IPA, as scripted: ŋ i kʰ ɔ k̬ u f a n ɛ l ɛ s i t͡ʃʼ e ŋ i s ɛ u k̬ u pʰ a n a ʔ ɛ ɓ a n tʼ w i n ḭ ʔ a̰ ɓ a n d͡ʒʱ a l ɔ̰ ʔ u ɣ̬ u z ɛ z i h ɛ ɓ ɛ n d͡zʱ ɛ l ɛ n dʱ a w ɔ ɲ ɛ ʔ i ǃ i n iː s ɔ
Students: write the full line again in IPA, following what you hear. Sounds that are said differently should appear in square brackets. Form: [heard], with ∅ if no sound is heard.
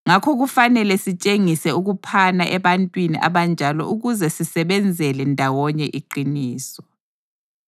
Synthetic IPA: ŋ [a] kʰ ɔ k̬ u f a n ɛ l ɛ s i t͡ʃʼ e ŋ i s ɛ u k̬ u pʰ a n a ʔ ɛ ɓ a n tʼ w i n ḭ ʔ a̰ ɓ a n d͡ʒʱ a l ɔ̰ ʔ u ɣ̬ u z ɛ [s] i [s] ɛ ɓ ɛ n d͡zʱ ɛ l ɛ n dʱ a w ɔ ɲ ɛ ʔ i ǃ i n iː s ɔ